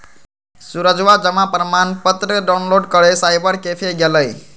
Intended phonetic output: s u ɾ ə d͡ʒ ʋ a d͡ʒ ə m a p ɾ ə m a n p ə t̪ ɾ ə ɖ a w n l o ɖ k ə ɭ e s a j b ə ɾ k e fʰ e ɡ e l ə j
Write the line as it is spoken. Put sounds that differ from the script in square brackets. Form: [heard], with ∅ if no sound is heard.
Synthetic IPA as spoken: s u ɾ ə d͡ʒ ʋ a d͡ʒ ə m a p ɾ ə m a n p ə t̪ ɾ ə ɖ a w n l o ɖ k ə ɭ e s a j b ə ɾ k e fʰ e ɡ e l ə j